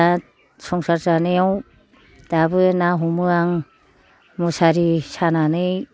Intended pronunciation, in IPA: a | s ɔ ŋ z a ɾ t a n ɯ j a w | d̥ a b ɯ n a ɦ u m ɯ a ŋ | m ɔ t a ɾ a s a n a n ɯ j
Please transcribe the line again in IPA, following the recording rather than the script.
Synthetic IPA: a | s ɔ ŋ s a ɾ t a n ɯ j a w | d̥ a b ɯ n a ɦ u m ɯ a ŋ | m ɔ s a ɾ i s a n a n ɯ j